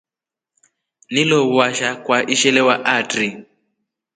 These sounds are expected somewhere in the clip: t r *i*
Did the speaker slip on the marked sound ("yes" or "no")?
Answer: no